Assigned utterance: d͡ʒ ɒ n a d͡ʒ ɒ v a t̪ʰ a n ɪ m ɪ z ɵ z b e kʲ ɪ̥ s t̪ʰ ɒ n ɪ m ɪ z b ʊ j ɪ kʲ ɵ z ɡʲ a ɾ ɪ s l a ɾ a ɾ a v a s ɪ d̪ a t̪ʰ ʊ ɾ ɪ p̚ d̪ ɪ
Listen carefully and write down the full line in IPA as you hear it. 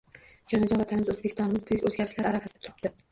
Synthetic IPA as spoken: d͡ʒ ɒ n a d͡ʒ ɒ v a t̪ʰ a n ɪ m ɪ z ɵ z b e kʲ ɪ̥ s t̪ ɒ n ɪ m ɪ z b ʊ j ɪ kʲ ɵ z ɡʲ a ɾ ɪ ʃ l a ɾ a ɾ a f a s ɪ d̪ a t̪ʰ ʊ ɾ ɪ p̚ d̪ ɪ